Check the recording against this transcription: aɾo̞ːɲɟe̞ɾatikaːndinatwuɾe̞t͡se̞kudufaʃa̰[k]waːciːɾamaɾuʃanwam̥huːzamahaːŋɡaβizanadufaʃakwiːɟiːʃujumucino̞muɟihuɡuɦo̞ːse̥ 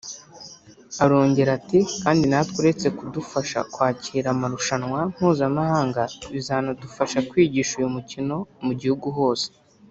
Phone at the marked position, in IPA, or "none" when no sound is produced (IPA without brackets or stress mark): k